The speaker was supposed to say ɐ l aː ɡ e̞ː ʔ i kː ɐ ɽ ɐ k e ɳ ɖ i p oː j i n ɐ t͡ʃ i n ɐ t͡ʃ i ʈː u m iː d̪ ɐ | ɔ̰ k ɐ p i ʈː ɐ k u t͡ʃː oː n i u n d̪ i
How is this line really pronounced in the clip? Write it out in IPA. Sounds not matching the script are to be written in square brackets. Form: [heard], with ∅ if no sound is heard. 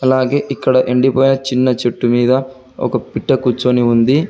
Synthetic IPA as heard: ɐ l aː ɡ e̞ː ʔ i kː ɐ ɽ ɐ [ʔ] e ɳ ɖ i p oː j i n ɐ t͡ʃ i [nː] ɐ t͡ʃ [e] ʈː u m iː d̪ ɐ | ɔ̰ k ɐ p i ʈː ɐ k u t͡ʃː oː n i u n d̪ i